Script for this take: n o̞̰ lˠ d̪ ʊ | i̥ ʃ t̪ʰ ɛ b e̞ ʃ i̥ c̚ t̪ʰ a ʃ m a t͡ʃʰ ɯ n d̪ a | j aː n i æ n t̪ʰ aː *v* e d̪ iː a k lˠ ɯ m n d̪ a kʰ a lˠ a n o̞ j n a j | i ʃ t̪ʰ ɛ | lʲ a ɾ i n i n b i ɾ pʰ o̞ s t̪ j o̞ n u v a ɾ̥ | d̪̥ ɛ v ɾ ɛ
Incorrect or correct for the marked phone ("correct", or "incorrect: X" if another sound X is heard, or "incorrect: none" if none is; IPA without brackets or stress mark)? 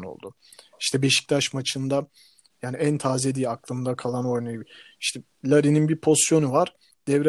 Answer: incorrect: z